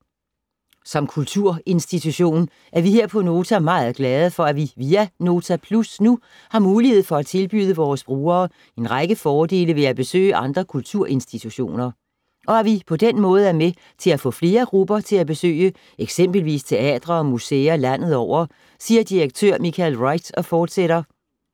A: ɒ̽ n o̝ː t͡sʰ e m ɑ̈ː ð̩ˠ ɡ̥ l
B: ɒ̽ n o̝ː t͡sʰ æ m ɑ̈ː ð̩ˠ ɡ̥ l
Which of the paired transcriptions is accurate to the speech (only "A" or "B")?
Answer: B